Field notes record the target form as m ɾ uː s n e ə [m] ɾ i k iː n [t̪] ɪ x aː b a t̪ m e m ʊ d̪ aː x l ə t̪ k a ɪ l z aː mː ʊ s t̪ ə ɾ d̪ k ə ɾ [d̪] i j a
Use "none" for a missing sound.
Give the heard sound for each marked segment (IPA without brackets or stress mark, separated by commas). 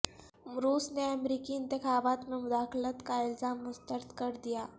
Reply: m, t̪, d̪